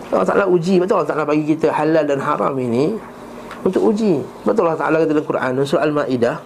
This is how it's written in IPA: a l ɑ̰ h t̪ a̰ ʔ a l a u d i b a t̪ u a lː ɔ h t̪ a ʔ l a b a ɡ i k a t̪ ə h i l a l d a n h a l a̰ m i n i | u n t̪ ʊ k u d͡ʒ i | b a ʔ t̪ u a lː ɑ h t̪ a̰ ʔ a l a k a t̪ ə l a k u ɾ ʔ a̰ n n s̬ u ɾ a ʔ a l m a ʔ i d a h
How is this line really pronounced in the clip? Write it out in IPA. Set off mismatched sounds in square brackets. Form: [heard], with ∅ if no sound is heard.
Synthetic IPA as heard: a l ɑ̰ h t̪ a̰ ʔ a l a u [d͡ʒ] i b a t̪ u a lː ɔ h t̪ a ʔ l a b a ɡ i k [i] t̪ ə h [a] l a l d a n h a [ɾ] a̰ m i n i | u n t̪ ʊ k u d͡ʒ i | b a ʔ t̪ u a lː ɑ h t̪ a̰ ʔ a l a k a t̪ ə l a k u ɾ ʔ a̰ n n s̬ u ɾ a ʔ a l m a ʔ i d a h